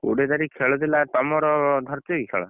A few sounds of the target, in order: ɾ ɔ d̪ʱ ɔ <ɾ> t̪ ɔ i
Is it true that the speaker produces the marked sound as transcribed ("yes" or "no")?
yes